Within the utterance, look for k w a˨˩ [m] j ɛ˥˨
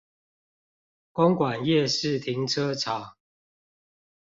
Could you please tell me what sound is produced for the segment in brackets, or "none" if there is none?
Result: n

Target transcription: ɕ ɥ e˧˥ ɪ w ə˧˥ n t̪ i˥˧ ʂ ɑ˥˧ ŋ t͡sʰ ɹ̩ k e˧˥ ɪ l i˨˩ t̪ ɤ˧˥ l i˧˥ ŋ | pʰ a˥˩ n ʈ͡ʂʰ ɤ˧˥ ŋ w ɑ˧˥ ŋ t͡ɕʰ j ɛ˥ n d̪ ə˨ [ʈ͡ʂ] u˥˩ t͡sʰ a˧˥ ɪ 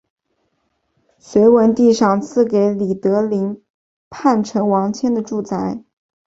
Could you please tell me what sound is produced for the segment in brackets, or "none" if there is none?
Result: ʈ͡ʂ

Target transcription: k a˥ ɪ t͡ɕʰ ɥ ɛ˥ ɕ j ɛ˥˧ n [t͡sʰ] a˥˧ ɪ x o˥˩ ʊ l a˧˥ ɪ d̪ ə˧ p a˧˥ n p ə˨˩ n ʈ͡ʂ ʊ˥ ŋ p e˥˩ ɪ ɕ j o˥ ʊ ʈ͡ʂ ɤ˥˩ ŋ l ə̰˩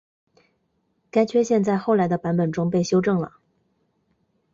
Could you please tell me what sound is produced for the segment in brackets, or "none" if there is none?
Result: t͡s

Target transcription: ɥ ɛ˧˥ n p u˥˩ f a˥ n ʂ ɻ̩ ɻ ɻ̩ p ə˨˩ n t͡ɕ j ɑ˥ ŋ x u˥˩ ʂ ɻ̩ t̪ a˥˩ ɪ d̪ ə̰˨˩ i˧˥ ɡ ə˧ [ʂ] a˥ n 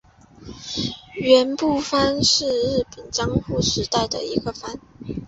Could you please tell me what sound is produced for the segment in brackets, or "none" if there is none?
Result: f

